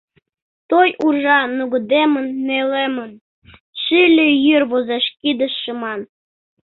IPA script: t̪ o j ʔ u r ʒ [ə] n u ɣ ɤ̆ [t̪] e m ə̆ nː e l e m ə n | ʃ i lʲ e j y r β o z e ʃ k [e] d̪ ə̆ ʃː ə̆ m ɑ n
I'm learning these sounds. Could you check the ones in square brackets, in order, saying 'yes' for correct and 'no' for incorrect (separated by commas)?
no, no, no